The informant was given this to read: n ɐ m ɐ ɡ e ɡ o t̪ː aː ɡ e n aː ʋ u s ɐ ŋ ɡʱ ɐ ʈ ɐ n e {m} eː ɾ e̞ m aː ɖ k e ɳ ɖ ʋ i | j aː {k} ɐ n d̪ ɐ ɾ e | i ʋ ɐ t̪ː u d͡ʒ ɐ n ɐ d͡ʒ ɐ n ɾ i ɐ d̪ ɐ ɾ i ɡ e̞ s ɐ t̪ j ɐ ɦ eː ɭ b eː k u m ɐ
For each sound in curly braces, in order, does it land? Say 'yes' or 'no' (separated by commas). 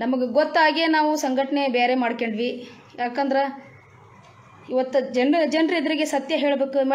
no, yes